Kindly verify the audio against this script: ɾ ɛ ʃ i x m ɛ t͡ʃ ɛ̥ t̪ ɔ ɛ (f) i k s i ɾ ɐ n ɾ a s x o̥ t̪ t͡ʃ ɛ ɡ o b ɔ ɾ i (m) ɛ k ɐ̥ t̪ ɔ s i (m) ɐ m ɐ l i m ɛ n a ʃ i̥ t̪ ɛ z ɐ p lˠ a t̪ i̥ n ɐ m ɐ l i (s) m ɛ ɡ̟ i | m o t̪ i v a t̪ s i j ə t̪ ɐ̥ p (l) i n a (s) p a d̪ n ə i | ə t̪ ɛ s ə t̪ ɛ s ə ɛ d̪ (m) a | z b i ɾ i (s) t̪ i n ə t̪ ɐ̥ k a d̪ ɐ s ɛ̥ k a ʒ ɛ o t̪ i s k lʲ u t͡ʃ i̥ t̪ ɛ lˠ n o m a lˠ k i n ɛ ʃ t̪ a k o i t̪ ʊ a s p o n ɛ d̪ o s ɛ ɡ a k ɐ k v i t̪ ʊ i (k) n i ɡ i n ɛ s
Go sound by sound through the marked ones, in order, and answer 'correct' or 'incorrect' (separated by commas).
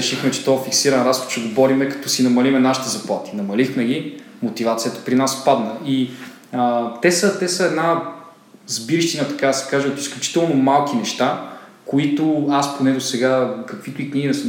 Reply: correct, correct, incorrect, incorrect, incorrect, correct, incorrect, incorrect, correct